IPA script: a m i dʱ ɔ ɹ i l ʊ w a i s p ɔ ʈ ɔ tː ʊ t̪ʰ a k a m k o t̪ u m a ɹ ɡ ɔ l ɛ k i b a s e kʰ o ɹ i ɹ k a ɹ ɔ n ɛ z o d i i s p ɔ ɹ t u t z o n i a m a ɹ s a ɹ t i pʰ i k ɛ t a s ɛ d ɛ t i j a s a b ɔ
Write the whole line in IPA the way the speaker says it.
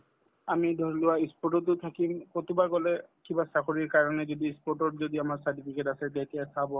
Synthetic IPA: a m i dʱ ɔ ɹ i l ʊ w a i s p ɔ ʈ ɔ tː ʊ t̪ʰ a k i m k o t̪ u b a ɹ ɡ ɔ l ɛ k i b a s a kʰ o ɹ i ɹ k a ɹ ɔ n ɛ z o d i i s p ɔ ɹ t ɔ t z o d i a m a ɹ s a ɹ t i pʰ i k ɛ t a s ɛ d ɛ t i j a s a b ɔ